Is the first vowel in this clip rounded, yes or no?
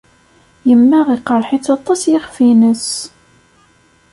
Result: no